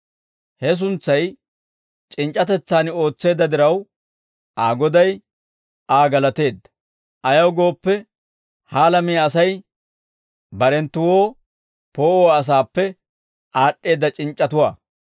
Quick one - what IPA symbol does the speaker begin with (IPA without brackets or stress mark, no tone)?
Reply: h